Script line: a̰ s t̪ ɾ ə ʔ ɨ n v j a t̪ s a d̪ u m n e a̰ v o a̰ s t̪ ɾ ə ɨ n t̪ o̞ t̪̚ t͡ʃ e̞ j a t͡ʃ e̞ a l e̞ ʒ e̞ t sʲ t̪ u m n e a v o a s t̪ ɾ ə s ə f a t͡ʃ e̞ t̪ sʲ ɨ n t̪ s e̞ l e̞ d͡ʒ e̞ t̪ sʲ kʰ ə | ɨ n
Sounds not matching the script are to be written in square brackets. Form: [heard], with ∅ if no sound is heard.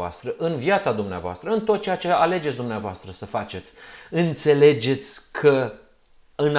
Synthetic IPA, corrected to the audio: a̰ s t̪ ɾ ə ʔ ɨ n v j a t̪ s a d̪ u m n e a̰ v o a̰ s t̪ ɾ ə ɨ n t̪ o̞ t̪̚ t͡ʃ e̞ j a t͡ʃ e̞ a l e̞ [d͡ʒ] e̞ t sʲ [d̪] u m n e a v o a s t̪ ɾ ə s ə f a t͡ʃ e̞ t̪ sʲ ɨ n t̪ s e̞ l e̞ d͡ʒ e̞ t̪ sʲ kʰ ə | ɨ n